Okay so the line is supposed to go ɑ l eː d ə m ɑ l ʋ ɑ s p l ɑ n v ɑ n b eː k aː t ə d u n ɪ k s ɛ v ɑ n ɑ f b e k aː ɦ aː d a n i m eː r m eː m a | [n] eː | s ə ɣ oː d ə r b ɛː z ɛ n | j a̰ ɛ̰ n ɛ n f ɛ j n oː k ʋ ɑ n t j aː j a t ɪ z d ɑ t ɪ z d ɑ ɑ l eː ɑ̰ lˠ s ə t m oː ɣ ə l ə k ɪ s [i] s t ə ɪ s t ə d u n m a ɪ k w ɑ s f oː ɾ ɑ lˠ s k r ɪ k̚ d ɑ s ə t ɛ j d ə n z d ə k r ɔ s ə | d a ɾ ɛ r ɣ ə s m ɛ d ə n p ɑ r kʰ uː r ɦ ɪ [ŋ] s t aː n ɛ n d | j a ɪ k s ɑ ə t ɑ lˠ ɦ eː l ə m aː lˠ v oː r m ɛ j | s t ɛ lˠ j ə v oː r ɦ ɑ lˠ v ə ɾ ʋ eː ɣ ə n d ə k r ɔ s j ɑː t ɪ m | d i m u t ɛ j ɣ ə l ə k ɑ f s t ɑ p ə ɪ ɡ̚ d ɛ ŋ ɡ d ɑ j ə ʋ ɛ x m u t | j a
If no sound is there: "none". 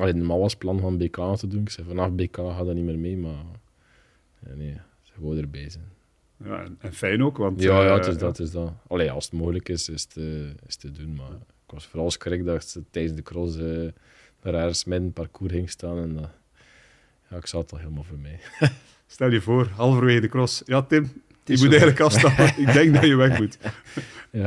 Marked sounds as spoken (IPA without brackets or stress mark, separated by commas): n, ɪ, ŋ